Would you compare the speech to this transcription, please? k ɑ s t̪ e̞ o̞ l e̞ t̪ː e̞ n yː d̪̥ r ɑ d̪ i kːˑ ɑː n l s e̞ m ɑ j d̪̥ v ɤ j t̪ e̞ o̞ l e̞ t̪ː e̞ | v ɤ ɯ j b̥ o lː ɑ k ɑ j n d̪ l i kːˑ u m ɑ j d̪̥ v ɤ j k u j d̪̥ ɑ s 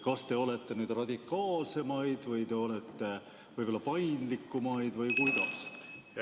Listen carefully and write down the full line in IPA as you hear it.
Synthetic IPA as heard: k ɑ s t̪ e̞ o̞ l e̞ t̪ː e̞ n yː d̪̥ r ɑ d̪ i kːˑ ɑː l s e̞ m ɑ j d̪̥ v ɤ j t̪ e̞ o̞ l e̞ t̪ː e̞ | v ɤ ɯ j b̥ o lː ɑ p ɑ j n d̪ l i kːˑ u m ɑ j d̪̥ v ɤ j k u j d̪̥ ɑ s